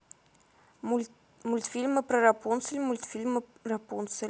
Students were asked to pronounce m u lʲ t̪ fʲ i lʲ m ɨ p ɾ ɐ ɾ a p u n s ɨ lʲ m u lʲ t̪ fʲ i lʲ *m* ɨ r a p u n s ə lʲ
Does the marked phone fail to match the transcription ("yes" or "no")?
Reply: no